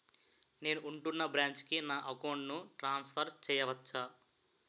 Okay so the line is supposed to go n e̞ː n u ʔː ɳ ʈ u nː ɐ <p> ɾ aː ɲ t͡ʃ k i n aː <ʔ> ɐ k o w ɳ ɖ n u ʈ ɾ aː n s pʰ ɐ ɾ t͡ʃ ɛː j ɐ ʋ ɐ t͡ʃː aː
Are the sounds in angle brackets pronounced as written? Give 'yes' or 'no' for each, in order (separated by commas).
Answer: no, yes